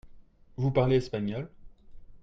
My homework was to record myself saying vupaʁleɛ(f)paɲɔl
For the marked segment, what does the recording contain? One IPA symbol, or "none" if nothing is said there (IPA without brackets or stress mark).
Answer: s